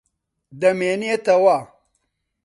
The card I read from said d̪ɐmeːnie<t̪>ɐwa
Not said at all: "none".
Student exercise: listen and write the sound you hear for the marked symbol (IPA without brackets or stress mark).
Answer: t̪